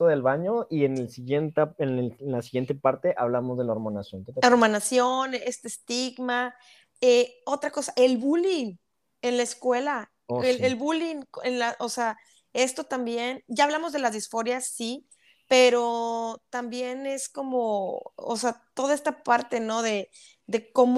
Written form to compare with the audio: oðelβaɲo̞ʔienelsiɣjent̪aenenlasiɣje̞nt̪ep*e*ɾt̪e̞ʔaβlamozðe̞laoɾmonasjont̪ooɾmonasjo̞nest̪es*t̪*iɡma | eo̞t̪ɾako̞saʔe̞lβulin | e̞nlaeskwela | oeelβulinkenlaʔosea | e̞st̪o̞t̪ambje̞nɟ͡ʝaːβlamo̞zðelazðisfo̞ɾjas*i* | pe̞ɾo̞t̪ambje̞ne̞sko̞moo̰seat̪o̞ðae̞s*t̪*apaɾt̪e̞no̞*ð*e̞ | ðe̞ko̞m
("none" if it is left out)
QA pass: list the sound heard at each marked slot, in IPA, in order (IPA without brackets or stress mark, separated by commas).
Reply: a, t̪, i, t̪, ð